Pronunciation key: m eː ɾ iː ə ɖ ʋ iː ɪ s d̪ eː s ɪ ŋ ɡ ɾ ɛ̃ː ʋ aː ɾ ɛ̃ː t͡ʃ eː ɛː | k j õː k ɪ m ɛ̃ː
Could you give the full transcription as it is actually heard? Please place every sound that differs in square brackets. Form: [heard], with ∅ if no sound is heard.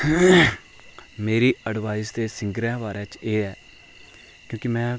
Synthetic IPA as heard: m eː ɾ iː ə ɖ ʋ [aː] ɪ s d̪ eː s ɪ ŋ ɡ ɾ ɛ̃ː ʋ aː ɾ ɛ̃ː t͡ʃ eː ɛː | k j õː k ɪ m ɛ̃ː